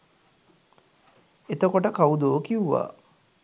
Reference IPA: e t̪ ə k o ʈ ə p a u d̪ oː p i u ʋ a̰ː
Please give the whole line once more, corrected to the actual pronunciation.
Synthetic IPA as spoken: e t̪ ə k o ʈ ə k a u d̪ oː k i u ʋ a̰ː